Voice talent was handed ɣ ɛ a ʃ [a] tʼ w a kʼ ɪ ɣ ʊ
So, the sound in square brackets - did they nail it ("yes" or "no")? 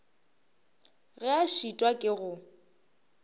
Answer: no